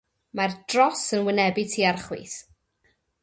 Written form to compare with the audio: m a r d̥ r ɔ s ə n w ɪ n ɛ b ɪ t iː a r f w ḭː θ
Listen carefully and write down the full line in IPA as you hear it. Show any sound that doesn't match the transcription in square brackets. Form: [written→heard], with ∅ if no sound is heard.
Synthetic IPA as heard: m a r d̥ r ɔ s ə n w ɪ n ɛ b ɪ [t→tʰ] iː a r [f→χ] w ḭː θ